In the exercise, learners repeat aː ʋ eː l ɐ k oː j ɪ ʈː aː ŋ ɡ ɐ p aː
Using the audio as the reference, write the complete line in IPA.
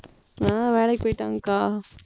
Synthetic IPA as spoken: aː ʋ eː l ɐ p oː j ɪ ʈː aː ŋ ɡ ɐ k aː